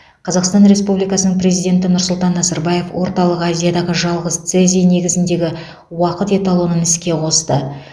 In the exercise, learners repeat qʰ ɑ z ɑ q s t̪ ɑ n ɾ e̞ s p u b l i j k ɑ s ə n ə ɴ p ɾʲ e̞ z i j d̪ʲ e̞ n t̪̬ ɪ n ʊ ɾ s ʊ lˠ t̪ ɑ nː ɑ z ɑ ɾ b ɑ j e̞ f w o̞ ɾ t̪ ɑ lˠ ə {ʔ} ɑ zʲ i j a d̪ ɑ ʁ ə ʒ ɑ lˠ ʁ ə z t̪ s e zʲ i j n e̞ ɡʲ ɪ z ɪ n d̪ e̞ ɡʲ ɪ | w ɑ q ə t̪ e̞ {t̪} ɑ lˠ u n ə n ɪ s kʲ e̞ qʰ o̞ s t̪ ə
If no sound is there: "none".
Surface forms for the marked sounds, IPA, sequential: q, t̪

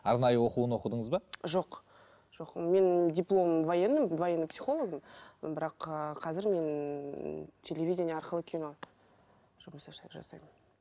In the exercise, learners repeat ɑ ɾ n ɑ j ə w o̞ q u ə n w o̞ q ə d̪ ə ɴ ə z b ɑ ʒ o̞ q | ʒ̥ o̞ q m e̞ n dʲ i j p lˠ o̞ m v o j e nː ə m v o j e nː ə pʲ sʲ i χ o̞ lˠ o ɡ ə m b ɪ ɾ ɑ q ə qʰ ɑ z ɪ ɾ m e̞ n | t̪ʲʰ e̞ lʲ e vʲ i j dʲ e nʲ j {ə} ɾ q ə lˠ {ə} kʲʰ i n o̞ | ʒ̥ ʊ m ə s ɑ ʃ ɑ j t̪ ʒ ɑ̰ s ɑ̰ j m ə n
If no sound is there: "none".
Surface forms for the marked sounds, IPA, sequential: ɑ, ə

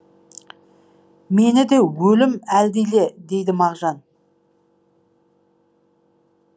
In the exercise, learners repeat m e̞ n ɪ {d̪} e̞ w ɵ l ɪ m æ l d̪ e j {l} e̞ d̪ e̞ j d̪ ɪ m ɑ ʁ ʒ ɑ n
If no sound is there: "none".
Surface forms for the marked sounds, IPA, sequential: d̪, l

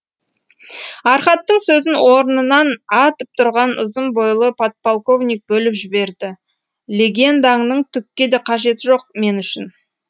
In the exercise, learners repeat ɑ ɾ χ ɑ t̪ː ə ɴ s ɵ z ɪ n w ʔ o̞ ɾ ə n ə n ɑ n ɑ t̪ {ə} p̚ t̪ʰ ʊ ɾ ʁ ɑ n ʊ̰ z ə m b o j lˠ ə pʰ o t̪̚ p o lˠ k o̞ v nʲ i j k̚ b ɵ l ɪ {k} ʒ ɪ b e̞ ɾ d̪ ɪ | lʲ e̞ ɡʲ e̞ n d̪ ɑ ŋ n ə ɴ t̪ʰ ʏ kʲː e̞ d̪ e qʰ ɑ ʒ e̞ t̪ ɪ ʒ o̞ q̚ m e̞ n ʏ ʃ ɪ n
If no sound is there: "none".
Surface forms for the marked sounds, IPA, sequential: ə, p

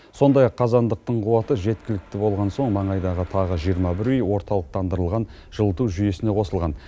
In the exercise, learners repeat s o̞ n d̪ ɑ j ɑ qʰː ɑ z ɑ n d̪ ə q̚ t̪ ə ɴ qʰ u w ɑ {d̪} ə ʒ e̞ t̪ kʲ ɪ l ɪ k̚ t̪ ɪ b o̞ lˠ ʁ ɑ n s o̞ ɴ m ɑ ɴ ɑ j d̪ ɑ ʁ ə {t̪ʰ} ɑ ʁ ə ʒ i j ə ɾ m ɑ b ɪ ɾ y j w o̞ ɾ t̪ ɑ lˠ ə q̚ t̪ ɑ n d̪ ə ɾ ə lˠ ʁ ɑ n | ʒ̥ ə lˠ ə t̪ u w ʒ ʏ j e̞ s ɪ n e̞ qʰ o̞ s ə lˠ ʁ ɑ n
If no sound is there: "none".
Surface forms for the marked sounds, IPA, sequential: t̪, t̪ʰ

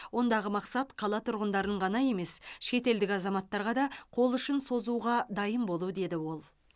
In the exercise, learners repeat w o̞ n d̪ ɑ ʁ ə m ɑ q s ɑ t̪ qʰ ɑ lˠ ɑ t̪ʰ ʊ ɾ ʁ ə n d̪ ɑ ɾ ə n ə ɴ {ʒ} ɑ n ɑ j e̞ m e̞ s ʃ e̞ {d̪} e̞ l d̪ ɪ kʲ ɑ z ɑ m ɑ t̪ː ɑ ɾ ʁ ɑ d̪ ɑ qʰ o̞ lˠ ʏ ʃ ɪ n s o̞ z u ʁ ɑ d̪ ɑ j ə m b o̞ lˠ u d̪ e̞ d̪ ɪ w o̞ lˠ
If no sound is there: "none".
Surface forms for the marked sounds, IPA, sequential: ʁ, t̪

